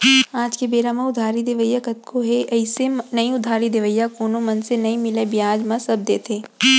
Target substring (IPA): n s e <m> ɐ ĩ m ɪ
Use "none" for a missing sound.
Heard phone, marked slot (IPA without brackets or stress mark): n